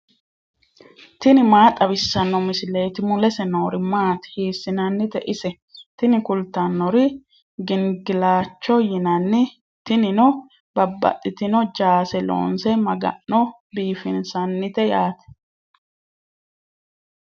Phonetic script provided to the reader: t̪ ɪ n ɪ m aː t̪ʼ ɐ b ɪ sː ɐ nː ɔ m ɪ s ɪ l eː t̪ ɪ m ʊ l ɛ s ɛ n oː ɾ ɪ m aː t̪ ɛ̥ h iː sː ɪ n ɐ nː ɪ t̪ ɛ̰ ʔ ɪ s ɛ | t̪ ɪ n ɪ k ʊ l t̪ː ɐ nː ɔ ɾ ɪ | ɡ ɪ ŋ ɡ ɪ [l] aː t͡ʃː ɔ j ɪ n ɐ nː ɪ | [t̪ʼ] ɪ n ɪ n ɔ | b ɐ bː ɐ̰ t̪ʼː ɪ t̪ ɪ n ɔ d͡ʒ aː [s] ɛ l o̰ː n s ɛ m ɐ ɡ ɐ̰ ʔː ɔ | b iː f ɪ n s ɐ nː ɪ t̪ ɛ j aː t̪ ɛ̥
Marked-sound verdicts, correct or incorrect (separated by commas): correct, incorrect, correct